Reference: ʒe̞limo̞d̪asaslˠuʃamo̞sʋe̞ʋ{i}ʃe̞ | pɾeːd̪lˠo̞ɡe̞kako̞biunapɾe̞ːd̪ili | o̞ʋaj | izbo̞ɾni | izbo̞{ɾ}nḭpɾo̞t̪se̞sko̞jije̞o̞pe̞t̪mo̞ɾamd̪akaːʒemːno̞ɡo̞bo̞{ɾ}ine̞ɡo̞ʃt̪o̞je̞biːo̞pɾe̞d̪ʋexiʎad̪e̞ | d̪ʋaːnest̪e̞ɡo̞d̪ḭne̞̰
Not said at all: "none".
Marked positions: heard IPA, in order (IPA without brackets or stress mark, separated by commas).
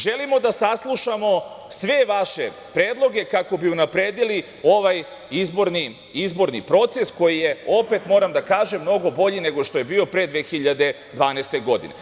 a, ɾ, ʎ